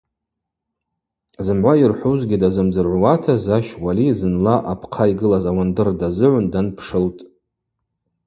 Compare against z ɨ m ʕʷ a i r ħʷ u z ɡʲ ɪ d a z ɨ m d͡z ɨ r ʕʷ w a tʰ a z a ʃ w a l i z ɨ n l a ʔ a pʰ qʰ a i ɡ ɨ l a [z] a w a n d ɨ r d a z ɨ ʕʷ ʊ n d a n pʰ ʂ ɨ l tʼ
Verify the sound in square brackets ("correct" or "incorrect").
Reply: correct